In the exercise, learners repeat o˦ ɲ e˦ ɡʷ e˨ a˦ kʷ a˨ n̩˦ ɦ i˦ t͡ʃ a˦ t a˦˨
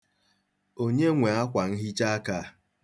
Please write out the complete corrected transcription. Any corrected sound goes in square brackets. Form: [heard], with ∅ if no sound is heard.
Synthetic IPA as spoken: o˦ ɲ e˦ [ŋʷ] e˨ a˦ kʷ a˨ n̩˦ ɦ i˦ t͡ʃ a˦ [k] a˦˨